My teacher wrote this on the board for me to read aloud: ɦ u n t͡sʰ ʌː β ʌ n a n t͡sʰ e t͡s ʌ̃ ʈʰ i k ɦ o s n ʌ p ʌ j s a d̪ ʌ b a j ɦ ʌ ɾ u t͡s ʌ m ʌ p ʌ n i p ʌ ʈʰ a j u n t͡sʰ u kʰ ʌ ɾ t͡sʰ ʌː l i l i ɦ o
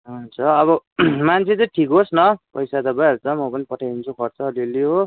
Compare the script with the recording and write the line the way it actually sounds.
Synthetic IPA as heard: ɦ u n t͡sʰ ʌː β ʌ m a n t͡sʰ e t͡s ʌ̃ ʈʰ i k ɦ o s n ʌ p ʌ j s a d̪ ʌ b a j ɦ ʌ ɾ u t͡s ʌ m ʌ p ʌ n i p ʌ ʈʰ a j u n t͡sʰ u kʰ ʌ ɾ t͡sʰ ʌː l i l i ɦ o